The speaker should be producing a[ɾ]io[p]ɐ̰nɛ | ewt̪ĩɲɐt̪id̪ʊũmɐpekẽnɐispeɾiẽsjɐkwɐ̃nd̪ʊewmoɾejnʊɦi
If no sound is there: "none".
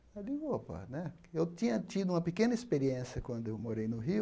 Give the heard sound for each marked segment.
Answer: l, p

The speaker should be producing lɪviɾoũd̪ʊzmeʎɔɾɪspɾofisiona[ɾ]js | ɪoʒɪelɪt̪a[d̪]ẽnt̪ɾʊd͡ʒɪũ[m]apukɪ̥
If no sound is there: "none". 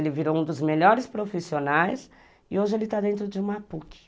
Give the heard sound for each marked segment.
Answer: none, d̪, m

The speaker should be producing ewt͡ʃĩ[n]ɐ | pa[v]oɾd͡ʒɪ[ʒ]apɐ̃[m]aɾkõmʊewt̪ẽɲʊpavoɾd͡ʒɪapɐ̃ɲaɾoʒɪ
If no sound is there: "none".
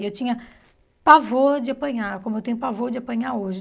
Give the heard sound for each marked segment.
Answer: ɲ, v, none, ɲ

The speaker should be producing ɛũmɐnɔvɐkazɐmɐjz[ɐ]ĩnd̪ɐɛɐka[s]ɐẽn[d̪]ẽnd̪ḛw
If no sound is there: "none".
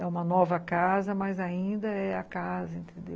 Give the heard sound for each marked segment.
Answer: a, z, t̪

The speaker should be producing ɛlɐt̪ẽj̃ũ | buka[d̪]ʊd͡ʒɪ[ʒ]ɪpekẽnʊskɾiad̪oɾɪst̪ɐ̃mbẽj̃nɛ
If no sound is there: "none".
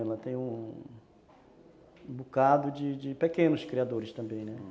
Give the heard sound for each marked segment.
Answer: d̪, d͡ʒ

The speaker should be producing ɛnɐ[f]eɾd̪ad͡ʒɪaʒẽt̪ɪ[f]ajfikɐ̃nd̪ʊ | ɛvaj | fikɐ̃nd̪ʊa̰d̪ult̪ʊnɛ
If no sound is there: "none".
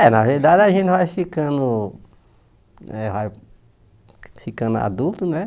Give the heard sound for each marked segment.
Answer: v, v

